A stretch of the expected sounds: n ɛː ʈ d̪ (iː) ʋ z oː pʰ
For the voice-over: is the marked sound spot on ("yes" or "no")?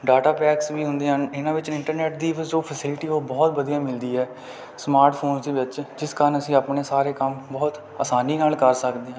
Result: yes